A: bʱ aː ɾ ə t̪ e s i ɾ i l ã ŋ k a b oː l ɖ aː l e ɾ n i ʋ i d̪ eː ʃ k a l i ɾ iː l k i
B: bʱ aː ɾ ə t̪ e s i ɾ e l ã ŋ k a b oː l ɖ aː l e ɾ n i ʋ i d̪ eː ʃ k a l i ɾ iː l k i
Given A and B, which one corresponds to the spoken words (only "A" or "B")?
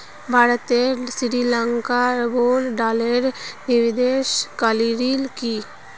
A